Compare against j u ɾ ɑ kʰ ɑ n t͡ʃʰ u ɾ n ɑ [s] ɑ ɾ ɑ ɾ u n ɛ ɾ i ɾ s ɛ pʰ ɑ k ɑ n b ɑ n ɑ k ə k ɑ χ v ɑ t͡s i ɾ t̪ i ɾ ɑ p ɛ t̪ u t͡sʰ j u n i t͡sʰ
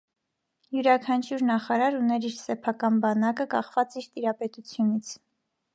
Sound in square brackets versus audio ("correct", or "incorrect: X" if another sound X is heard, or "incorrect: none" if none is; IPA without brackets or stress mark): incorrect: χ